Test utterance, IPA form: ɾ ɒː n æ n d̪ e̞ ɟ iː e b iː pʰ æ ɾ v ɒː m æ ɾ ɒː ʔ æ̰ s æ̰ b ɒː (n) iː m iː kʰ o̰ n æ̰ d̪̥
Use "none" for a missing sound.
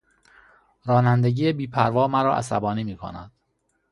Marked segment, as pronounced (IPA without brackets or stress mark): n